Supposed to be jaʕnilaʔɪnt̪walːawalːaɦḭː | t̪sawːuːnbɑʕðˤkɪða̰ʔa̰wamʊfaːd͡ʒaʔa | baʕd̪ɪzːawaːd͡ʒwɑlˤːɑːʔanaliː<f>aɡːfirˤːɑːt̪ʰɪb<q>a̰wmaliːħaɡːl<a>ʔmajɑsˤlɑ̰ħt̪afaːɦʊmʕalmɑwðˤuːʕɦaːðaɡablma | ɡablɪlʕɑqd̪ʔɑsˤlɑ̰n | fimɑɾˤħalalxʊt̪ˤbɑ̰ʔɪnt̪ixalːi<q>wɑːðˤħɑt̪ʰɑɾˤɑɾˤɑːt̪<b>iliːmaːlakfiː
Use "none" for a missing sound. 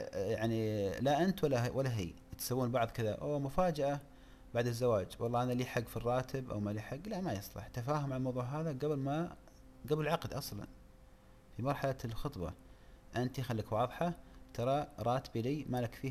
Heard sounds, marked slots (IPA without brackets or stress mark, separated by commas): ħ, ʔ, a, k, b